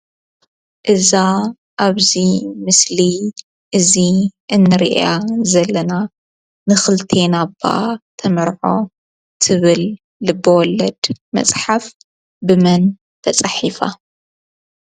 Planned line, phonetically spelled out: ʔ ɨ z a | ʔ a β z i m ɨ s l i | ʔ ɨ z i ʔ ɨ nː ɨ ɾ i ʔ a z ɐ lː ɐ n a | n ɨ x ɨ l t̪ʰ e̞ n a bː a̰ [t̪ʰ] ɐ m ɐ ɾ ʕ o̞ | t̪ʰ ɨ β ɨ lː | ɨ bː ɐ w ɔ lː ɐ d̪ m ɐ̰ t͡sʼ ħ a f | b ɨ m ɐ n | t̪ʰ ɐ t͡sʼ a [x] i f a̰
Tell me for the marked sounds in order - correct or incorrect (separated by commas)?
correct, incorrect